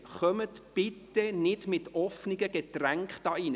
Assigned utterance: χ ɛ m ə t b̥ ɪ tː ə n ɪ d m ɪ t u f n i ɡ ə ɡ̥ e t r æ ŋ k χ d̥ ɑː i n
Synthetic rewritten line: χ œ m ə t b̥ ɪ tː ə n ɪ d m ɪ t ɔ f n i ɡ ə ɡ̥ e t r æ ŋ k χ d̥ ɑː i n